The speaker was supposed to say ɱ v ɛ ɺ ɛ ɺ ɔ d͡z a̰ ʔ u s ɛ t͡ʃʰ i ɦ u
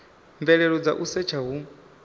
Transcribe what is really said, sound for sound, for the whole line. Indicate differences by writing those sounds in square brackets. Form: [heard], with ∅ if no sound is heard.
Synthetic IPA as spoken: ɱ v ɛ ɺ ɛ ɺ ɔ d͡z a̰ ʔ u s ɛ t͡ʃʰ [a] ɦ u